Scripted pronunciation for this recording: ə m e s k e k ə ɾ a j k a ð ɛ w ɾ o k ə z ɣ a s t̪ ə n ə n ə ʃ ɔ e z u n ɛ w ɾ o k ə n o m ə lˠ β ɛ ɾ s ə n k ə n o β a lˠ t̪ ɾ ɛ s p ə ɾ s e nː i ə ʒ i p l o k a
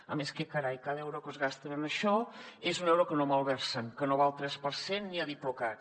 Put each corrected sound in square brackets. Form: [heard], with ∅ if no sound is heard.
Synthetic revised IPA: ə m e s k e k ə ɾ a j k a ð ɛ w ɾ o k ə z ɣ a s t̪ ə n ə n ə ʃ ɔ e z u n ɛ w ɾ o k ə n o m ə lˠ β ɛ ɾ s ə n k ə n o β a lˠ t̪ ɾ ɛ s p ə ɾ s e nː i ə [ð] i p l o k a